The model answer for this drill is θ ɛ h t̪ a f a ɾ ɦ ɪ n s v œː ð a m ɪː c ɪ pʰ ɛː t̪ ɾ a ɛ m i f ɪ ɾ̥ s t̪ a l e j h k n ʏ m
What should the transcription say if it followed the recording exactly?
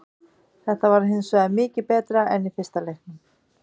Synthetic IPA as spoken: θ ɛ h t̪ a v a ɾ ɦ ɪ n s v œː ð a m ɪː c ɪ p ɛː t̪ ɾ a ɛ n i f ɪ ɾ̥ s t̪ a l e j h k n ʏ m